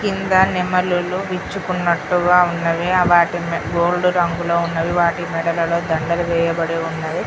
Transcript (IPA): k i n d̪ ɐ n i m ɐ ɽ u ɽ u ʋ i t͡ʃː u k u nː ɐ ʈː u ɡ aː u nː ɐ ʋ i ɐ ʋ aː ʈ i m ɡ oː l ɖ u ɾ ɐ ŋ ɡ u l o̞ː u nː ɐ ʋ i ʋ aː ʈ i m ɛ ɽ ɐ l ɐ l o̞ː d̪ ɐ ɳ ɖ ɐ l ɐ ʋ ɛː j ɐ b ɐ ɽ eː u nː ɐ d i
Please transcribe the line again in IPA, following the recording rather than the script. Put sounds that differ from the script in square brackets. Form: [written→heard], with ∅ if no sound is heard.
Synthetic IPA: k i n d̪ ɐ n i m ɐ [ɽ→l] u [ɽ→l] u ʋ i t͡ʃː u k u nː ɐ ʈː u ɡ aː u nː ɐ ʋ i ɐ ʋ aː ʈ i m ɡ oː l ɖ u ɾ ɐ ŋ ɡ u l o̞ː u nː ɐ ʋ i ʋ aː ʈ i m ɛ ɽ ɐ l ɐ l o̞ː d̪ ɐ ɳ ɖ ɐ l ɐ ʋ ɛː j ɐ b ɐ ɽ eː u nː ɐ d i

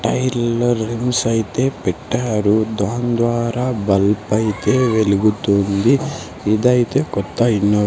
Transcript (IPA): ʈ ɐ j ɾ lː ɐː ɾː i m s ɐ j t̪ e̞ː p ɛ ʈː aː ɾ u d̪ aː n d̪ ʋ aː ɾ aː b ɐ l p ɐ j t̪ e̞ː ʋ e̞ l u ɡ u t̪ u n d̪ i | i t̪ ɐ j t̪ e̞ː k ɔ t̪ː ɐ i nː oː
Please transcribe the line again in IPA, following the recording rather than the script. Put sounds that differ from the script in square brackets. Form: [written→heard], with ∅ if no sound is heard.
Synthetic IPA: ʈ ɐ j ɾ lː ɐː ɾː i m s ɐ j t̪ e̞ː p ɛ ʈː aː ɾ u d̪ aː n d̪ ʋ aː ɾ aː b ɐ l p ɐ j t̪ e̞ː ʋ e̞ l u ɡ u t̪ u n d̪ i | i [t̪→d̪] ɐ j t̪ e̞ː k ɔ t̪ː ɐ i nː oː

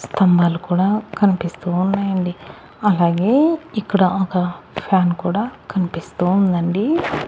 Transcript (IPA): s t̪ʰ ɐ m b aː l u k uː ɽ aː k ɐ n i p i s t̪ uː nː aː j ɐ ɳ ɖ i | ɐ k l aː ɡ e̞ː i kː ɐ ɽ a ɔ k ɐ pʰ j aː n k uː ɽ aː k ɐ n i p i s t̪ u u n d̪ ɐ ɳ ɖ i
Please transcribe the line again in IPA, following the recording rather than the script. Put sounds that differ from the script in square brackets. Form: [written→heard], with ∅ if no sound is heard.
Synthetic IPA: s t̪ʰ ɐ m b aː l u k uː ɽ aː k ɐ n i p i s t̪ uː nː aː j ɐ ɳ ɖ i | ɐ [k→∅] l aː ɡ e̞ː i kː ɐ ɽ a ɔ k ɐ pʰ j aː n k uː ɽ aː k ɐ n i p i s t̪ u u n d̪ ɐ ɳ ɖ i

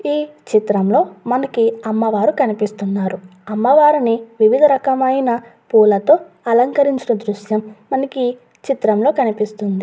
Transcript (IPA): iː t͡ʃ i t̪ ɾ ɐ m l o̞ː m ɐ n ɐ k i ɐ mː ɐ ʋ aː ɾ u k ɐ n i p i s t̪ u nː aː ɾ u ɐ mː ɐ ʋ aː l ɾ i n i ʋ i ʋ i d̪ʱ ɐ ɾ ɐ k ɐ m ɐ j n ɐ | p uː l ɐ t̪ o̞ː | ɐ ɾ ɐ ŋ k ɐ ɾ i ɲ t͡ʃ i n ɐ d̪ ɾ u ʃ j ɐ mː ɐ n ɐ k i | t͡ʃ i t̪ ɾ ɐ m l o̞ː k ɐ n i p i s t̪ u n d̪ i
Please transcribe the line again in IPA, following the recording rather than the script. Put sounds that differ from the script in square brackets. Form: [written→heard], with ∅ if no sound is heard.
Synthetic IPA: iː t͡ʃ i t̪ ɾ ɐ m l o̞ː m ɐ n ɐ k i ɐ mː ɐ ʋ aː ɾ u k ɐ n i p i s t̪ u nː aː ɾ u ɐ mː ɐ ʋ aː [l→∅] ɾ i n i ʋ i ʋ i d̪ʱ ɐ ɾ ɐ k ɐ m ɐ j n ɐ | p uː l ɐ t̪ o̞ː | ɐ [ɾ→l] ɐ ŋ k ɐ ɾ i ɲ t͡ʃ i n ɐ d̪ ɾ u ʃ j ɐ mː ɐ n ɐ k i | t͡ʃ i t̪ ɾ ɐ m l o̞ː k ɐ n i p i s t̪ u n d̪ i

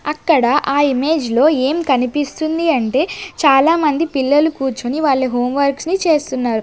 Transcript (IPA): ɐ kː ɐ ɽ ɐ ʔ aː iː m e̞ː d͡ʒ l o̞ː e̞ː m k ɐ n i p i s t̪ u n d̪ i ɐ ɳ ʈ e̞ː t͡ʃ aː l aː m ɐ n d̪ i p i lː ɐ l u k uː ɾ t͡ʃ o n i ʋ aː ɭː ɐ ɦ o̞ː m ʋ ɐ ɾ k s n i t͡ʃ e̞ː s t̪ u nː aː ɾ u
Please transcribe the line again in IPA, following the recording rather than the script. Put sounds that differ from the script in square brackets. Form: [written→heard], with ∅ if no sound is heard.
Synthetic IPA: ɐ kː ɐ ɽ ɐ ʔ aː [iː→i] m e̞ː d͡ʒ l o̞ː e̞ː m k ɐ n i p i s t̪ u n d̪ i ɐ ɳ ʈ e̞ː t͡ʃ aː l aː m ɐ n d̪ i p i lː ɐ l u k uː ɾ t͡ʃ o n i ʋ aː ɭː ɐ ɦ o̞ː m ʋ ɐ ɾ k s n i t͡ʃ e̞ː s t̪ u nː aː ɾ u

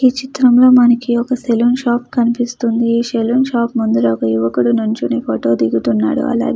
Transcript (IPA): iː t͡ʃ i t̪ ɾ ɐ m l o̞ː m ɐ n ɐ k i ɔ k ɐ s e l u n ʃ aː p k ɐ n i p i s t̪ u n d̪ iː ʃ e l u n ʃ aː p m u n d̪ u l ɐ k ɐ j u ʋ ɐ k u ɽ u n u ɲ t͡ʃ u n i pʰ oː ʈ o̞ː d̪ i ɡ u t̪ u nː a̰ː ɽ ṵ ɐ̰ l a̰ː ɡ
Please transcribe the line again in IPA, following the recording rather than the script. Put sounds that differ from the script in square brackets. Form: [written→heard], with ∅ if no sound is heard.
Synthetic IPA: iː t͡ʃ i t̪ ɾ ɐ m l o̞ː m ɐ n ɐ k i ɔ k ɐ s e l u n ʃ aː p k ɐ n i p i s t̪ u n d̪ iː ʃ e l u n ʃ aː p m u n d̪ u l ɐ k ɐ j u ʋ ɐ k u ɽ u n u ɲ t͡ʃ u n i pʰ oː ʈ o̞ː d̪ i ɡ u t̪ u nː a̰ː ɽ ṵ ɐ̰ l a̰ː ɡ

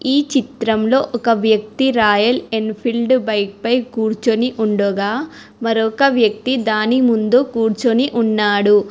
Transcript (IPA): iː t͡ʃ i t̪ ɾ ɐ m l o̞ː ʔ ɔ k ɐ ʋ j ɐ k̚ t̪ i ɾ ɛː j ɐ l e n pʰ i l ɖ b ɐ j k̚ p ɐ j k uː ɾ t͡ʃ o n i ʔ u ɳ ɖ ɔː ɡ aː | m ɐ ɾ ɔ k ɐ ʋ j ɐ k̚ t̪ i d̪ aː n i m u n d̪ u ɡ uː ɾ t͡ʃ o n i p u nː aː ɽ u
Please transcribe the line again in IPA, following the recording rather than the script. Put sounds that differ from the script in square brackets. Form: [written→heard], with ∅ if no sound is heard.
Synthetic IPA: iː t͡ʃ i t̪ ɾ ɐ m l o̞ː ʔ ɔ k ɐ ʋ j ɐ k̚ t̪ i ɾ [ɛː→aː] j ɐ l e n pʰ i l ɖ b ɐ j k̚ p ɐ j k uː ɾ t͡ʃ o n i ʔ u ɳ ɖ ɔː ɡ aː | m ɐ ɾ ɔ k ɐ ʋ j ɐ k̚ t̪ i d̪ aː n i m u n d̪ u [ɡ→k] uː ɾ t͡ʃ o n i [p→ʔ] u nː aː ɽ u

